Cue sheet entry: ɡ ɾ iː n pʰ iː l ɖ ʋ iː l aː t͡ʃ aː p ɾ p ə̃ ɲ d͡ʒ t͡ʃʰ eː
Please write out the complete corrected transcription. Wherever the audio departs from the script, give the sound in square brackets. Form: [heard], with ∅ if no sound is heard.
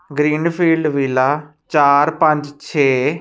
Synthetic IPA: ɡ ɾ iː n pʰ iː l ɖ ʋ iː l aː t͡ʃ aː [∅] ɾ p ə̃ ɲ d͡ʒ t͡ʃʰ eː

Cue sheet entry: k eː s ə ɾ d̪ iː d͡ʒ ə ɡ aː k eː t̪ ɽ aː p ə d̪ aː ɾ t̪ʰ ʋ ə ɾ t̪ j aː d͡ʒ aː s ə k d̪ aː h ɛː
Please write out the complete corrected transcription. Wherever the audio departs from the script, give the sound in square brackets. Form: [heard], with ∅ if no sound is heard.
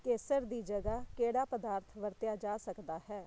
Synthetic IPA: k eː s ə ɾ d̪ iː d͡ʒ ə ɡ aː k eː [∅] ɽ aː p ə d̪ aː ɾ t̪ʰ ʋ ə ɾ t̪ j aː d͡ʒ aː s ə k d̪ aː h ɛː

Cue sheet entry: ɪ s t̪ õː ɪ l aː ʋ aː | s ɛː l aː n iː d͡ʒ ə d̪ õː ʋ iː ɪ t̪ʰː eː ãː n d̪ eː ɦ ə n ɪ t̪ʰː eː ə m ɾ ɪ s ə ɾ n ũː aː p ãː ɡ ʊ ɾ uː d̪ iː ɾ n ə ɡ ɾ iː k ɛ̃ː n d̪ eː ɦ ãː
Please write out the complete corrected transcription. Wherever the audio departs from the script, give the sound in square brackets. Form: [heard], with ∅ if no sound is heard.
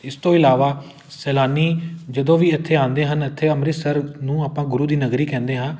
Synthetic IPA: ɪ s t̪ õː ɪ l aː ʋ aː | s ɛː l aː n iː d͡ʒ ə d̪ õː ʋ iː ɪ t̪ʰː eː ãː n d̪ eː ɦ ə n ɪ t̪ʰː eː ə m ɾ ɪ s ə ɾ n ũː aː p ãː ɡ ʊ ɾ uː d̪ iː [∅] n ə ɡ ɾ iː k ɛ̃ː n d̪ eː ɦ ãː

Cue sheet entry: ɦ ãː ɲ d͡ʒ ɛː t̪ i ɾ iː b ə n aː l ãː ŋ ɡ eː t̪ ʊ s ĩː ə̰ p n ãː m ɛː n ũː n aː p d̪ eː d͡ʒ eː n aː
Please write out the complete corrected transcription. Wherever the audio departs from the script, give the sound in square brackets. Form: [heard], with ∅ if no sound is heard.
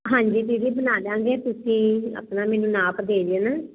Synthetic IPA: ɦ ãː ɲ d͡ʒ [iː] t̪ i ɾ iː b ə n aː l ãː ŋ ɡ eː t̪ ʊ s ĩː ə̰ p n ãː m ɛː n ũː n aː p d̪ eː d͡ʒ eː n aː

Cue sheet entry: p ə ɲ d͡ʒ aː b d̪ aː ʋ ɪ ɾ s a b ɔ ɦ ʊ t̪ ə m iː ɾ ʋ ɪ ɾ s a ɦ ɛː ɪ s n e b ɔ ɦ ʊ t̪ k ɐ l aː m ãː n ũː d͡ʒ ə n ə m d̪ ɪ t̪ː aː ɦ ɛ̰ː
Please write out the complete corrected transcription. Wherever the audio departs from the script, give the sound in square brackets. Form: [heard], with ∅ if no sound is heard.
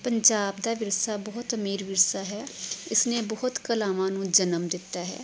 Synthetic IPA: p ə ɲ d͡ʒ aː b d̪ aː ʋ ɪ ɾ s a b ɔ ɦ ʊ t̪ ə m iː ɾ ʋ ɪ ɾ s a ɦ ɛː ɪ s n e b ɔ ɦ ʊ t̪ k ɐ l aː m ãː n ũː d͡ʒ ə n ə m d̪ ɪ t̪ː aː ɦ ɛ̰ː

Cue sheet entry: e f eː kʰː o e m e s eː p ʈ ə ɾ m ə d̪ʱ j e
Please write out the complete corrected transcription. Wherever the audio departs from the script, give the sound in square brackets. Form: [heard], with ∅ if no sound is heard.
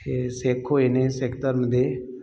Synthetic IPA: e [s] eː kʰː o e [n] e s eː [k] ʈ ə ɾ m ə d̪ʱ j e

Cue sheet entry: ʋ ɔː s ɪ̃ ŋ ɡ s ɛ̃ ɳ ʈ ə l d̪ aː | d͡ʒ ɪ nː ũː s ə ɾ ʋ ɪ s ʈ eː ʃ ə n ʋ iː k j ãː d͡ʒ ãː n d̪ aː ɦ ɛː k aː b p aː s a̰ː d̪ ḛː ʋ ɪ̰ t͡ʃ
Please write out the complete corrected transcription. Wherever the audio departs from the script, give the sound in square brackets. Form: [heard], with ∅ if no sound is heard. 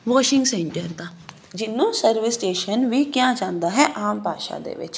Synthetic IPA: ʋ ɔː [ʃ] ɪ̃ ŋ ɡ s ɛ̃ ɳ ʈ ə [ɾ] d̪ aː | d͡ʒ ɪ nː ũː s ə ɾ ʋ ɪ s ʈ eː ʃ ə n ʋ iː k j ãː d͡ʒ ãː n d̪ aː ɦ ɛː [ʔ] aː [m] p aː [ʃ] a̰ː d̪ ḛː ʋ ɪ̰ t͡ʃ

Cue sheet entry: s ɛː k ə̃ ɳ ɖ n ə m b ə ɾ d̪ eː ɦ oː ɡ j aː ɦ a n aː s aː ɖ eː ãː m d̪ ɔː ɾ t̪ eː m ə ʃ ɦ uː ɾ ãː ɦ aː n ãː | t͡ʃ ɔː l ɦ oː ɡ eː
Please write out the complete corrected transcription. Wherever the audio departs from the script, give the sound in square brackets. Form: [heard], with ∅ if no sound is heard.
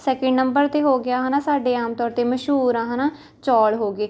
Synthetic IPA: s ɛː k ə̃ ɳ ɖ n ə m b ə ɾ [t̪] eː ɦ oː ɡ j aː ɦ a n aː s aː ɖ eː [aː] m [t̪] ɔː ɾ t̪ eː m ə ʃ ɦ uː ɾ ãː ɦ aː n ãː | t͡ʃ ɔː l ɦ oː ɡ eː

